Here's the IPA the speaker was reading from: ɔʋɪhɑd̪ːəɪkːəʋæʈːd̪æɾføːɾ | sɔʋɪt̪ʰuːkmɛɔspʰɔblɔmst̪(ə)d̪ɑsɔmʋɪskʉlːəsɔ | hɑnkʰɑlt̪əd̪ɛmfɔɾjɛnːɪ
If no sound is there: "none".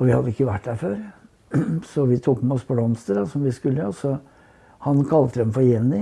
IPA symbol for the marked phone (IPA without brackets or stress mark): ə